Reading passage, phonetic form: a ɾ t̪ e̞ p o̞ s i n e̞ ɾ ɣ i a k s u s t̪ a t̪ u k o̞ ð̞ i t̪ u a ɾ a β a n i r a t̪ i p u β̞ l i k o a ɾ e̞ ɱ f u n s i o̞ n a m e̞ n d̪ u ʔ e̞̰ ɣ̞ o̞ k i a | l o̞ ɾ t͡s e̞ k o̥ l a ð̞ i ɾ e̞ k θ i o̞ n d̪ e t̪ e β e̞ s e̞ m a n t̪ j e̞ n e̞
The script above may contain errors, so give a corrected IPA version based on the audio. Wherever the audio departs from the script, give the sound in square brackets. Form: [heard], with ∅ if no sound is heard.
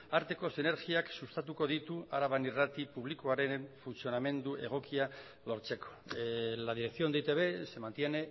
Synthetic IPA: a ɾ t̪ e̞ [k] o̞ s i n e̞ ɾ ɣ i a k s u s t̪ a t̪ u k o̞ ð̞ i t̪ u a ɾ a β a n i r a t̪ i p u β̞ l i k o a ɾ e̞ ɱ f u n s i o̞ n a m e̞ n d̪ u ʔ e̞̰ ɣ̞ o̞ k i a | l o̞ ɾ t͡s e̞ k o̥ l a ð̞ i ɾ e̞ k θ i o̞ n d̪ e t̪ e β e̞ s e̞ m a n t̪ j e̞ n e̞